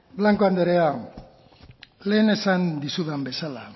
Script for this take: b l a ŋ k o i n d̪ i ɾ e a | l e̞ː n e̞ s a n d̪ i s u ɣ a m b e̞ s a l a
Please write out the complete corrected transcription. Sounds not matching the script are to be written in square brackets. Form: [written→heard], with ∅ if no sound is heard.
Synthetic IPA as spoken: b l a ŋ k o [i→a] n d̪ [i→e] ɾ e a | l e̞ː n e̞ s a n d̪ i s u [ɣ→ð] a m b e̞ s a l a